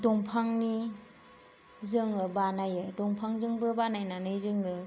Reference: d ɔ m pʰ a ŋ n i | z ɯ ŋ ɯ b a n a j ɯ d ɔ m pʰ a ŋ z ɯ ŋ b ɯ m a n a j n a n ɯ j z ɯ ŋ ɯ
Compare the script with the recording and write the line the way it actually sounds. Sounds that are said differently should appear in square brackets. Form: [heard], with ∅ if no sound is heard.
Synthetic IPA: d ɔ [ŋ] pʰ a ŋ n i | z ɯ ŋ ɯ b a n a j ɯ d ɔ [ŋ] pʰ a ŋ z ɯ ŋ b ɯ [b] a n a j n a n ɯ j z ɯ ŋ ɯ